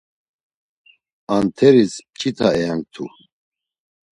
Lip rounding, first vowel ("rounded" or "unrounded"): unrounded